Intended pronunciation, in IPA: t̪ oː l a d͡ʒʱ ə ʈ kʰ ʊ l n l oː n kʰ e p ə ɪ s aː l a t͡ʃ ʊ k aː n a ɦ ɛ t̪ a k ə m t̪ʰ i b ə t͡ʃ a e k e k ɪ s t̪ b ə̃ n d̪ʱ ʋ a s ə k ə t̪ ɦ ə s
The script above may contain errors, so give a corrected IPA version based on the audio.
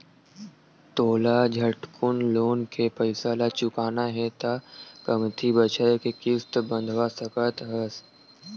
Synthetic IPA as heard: t̪ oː l a d͡ʒʱ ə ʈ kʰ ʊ n l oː n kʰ e p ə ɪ s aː l a t͡ʃ ʊ k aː n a ɦ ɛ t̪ a k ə m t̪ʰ i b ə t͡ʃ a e k e k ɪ s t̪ b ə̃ n d̪ʱ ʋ a s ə k ə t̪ ɦ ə s